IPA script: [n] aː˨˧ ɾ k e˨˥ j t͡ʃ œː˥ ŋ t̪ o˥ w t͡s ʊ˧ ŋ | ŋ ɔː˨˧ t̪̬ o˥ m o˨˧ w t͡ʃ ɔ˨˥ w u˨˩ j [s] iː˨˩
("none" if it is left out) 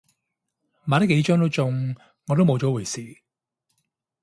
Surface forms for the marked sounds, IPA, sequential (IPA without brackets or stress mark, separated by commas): m, s